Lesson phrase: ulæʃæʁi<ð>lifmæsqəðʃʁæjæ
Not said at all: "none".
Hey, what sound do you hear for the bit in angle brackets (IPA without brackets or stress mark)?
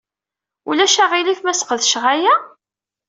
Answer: none